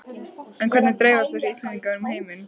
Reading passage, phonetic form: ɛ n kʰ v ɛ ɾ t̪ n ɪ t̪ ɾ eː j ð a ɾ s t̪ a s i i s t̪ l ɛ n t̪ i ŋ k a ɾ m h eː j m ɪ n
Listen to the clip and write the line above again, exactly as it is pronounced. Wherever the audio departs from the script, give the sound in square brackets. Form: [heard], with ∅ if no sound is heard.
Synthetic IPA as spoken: ɛ n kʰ v ɛ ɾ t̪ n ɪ t̪ ɾ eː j [v] a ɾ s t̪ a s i i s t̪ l ɛ n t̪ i ŋ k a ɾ m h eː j m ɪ n